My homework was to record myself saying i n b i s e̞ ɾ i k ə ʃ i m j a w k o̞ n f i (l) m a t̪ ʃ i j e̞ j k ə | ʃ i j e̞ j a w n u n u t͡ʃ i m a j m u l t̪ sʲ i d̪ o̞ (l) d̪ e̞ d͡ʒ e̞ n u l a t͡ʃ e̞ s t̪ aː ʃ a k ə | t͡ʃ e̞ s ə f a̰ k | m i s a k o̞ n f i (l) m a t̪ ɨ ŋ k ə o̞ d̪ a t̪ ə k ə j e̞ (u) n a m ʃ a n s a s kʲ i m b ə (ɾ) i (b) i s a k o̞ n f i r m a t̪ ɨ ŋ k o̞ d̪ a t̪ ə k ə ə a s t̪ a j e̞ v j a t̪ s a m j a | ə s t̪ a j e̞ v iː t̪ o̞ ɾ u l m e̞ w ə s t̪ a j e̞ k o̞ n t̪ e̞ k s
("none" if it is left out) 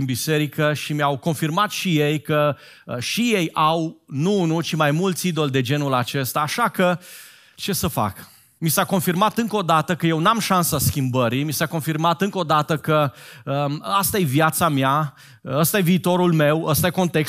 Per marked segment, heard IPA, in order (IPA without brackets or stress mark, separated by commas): r, l, r, w, ɾ, m